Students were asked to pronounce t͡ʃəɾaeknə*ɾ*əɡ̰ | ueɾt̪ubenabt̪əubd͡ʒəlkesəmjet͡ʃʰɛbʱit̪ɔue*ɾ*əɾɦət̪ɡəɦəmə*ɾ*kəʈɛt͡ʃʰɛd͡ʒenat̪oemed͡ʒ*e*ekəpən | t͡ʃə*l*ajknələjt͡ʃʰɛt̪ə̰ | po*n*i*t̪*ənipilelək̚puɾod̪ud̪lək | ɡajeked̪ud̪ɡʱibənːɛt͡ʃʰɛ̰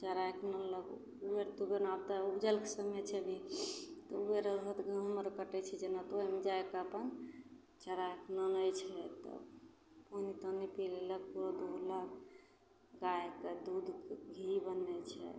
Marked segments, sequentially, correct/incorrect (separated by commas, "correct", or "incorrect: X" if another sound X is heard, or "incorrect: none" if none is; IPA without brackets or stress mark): incorrect: l, correct, correct, incorrect: a, incorrect: ɾ, correct, correct